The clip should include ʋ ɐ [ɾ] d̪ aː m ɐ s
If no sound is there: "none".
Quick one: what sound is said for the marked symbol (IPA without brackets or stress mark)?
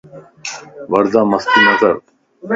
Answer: ɾ